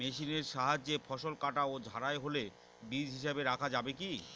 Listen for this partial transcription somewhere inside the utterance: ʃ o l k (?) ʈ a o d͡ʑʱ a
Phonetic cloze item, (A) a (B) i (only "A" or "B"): A